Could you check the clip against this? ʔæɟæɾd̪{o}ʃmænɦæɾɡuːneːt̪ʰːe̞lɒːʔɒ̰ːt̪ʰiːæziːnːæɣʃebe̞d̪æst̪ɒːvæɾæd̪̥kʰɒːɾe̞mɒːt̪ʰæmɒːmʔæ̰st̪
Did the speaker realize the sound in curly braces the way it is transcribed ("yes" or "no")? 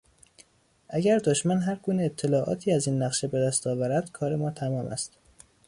yes